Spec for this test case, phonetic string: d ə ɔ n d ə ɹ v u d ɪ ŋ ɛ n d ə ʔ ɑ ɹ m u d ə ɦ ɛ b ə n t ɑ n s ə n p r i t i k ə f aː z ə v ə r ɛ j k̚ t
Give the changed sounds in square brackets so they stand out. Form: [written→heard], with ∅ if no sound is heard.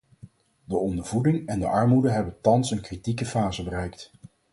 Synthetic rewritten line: d ə ɔ n d ə ɹ v u d ɪ ŋ ɛ n d ə ʔ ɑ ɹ m u d ə ɦ ɛ b ə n t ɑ n s ə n [p→k] r i t i k ə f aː z ə [v→b] ə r ɛ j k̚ t